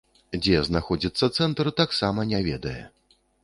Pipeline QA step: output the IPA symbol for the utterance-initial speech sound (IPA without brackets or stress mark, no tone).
d͡zʲ